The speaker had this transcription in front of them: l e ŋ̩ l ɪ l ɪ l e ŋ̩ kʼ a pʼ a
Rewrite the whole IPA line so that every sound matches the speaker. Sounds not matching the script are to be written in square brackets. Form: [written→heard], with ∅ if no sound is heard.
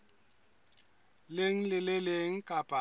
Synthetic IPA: l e ŋ̩ l ɪ l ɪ l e ŋ̩ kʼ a pʼ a